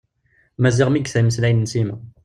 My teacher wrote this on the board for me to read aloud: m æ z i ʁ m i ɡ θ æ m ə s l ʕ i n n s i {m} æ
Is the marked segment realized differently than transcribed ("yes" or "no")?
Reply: no